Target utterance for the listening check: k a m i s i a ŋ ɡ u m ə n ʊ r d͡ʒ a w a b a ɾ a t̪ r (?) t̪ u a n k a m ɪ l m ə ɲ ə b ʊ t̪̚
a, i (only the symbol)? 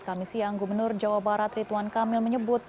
i